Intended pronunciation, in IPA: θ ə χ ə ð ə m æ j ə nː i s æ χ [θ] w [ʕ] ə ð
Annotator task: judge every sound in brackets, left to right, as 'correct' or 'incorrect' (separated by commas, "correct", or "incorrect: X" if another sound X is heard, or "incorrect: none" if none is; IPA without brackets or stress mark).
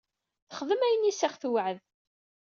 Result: correct, correct